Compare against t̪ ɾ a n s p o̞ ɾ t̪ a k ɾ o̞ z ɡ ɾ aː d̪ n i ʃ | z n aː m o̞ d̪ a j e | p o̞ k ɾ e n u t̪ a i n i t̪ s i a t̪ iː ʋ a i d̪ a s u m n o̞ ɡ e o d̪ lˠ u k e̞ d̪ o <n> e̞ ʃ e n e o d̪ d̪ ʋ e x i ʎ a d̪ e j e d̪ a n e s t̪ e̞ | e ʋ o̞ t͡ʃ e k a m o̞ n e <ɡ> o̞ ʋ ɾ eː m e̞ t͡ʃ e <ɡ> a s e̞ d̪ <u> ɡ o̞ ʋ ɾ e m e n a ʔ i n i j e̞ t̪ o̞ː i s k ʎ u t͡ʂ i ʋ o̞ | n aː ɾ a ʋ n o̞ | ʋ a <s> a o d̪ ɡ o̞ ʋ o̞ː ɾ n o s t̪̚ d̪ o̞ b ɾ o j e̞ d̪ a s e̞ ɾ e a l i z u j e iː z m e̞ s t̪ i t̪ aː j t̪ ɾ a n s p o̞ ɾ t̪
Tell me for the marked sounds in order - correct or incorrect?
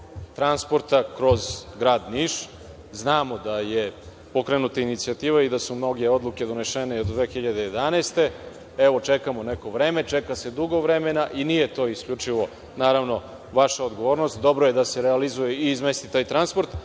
correct, incorrect: k, incorrect: k, correct, incorrect: ʃ

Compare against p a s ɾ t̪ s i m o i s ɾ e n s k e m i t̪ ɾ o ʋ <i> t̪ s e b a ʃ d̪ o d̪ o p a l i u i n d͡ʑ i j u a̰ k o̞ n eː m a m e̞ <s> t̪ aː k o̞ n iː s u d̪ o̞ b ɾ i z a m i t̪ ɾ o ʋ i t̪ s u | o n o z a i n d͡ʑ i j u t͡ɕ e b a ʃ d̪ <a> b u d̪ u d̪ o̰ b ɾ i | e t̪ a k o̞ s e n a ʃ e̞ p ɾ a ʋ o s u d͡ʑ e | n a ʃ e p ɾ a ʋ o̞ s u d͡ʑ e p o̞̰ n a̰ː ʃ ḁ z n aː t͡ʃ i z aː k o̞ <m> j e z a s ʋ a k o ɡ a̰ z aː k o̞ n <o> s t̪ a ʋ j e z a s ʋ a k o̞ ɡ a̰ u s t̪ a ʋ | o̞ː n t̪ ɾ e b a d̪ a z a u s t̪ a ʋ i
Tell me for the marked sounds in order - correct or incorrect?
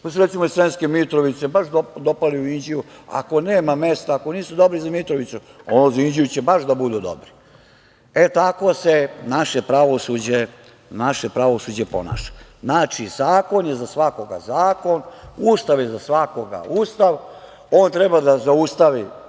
correct, correct, correct, incorrect: n, incorrect: u

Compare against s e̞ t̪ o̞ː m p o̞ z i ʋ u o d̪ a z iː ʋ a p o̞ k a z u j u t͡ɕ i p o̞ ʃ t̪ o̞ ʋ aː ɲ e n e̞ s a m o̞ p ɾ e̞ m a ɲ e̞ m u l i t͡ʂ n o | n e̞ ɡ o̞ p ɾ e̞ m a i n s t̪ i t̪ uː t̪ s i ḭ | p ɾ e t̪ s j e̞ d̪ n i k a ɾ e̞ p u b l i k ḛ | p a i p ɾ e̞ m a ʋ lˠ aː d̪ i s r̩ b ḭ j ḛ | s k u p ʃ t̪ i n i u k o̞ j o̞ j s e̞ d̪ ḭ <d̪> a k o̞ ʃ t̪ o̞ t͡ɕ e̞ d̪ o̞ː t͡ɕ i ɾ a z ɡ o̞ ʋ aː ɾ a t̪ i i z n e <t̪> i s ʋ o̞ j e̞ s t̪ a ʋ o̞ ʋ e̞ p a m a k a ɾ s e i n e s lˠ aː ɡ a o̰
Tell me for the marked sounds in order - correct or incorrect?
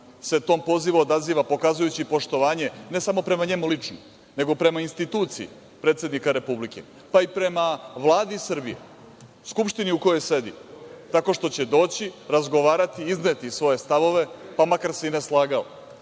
incorrect: t̪, correct

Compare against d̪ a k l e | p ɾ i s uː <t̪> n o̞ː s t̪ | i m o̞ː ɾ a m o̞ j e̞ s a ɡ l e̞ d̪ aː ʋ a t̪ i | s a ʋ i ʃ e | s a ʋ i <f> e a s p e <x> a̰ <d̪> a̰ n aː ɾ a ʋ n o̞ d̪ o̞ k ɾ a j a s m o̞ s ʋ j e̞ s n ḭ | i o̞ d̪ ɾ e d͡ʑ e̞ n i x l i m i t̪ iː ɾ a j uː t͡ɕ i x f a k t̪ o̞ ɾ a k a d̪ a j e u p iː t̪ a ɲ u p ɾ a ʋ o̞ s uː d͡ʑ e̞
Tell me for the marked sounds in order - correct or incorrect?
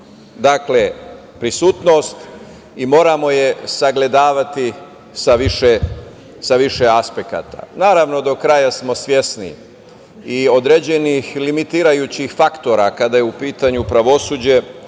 correct, incorrect: ʃ, incorrect: k, incorrect: t̪

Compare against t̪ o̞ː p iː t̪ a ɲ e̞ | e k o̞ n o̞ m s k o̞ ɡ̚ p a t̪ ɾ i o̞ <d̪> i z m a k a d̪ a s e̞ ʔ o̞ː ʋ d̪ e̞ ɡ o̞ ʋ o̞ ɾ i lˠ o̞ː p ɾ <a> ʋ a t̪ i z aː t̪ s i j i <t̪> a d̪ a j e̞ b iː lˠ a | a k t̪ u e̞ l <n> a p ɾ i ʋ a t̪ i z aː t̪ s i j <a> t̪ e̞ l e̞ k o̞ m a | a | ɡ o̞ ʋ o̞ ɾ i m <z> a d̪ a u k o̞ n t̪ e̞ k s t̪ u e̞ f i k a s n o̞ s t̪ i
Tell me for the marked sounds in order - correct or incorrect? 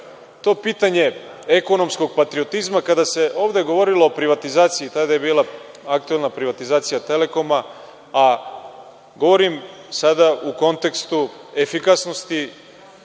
incorrect: t̪, incorrect: i, correct, correct, correct, incorrect: s

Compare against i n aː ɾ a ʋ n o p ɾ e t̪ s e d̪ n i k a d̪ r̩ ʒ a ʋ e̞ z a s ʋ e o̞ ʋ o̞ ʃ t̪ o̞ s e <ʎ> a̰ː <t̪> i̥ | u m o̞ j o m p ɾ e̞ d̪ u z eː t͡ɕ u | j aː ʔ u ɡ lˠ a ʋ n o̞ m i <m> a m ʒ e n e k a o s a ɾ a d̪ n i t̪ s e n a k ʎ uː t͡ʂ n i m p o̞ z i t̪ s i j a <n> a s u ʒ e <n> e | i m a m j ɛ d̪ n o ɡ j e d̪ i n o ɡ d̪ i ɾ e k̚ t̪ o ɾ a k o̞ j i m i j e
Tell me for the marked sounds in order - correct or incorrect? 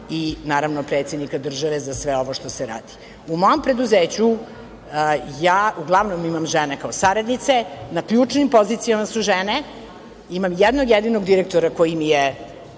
incorrect: ɾ, incorrect: d̪, correct, incorrect: m, correct

